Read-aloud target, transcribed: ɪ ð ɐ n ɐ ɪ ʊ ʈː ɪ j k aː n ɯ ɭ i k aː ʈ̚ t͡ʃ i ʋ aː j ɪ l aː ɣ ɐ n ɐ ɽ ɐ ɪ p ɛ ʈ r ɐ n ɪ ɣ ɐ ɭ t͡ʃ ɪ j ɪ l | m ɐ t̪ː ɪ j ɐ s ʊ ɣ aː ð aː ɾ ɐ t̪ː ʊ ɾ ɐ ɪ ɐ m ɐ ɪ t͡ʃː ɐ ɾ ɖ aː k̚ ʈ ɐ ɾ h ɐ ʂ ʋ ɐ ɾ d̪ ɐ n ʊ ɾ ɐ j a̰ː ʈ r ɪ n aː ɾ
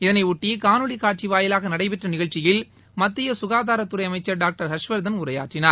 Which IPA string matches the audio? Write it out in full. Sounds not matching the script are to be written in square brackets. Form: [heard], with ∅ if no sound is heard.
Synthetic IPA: ɪ ð ɐ n ɐ ɪ ʊ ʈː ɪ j k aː n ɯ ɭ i k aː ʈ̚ t͡ʃ i ʋ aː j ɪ l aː ɣ ɐ n ɐ ɽ ɐ ɪ p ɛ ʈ r ɐ n ɪ ɣ ɐ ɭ t͡ʃ ɪ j ɪ l | m ɐ t̪ː ɪ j ɐ s ʊ ɣ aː ð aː ɾ ɐ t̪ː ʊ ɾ ɐ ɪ ɐ m ɐ ɪ t͡ʃː ɐ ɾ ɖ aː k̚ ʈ ɐ ɾ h ɐ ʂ ʋ ɐ ɾ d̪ ɐ n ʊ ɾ ɐ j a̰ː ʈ r ɪ n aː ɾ